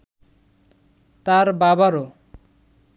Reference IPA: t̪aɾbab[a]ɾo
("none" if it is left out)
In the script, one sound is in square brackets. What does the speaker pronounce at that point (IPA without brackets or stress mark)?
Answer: a